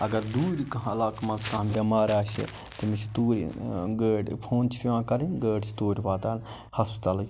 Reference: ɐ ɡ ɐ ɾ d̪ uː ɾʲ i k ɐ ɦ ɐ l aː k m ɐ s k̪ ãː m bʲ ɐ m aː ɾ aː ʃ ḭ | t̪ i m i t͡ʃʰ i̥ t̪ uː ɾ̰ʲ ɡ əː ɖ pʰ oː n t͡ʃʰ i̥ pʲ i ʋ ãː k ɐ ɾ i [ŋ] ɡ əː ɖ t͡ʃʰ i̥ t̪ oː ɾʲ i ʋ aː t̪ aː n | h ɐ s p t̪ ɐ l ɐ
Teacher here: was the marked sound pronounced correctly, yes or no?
no